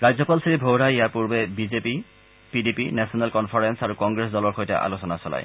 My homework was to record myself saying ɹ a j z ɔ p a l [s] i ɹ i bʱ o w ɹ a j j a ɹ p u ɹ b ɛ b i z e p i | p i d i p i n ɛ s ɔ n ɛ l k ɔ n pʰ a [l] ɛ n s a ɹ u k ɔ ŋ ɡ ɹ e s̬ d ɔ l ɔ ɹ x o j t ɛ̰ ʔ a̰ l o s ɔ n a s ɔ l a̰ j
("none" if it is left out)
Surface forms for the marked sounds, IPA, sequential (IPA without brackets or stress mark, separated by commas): s, ɹ